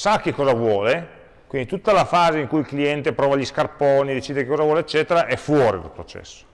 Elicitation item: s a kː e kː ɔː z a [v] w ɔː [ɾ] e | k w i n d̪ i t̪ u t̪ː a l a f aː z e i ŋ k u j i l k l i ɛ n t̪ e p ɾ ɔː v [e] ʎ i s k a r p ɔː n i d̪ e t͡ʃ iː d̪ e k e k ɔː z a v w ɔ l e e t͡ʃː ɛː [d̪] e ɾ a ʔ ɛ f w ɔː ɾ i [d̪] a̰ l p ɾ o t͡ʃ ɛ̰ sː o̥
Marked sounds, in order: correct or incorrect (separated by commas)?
correct, incorrect, incorrect, incorrect, correct